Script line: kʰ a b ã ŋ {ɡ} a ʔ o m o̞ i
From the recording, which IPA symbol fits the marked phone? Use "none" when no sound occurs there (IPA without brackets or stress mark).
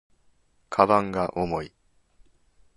ɡ